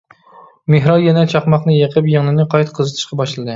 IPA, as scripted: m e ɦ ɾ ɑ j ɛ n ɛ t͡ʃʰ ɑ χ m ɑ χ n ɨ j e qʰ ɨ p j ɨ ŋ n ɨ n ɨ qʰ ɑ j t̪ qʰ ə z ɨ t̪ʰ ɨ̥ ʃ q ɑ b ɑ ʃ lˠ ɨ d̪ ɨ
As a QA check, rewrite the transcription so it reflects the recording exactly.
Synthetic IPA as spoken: m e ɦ ɾ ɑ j ɛ n ɛ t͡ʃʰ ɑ χ m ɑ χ n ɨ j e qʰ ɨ p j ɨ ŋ n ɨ n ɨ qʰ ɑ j t̪ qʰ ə z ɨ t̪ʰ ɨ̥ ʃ q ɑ b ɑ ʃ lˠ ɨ d̪ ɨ